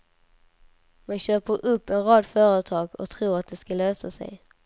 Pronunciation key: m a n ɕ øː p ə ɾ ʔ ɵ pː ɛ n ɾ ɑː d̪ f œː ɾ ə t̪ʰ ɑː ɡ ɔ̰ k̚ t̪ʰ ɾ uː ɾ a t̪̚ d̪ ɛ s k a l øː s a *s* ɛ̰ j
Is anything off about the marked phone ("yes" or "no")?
no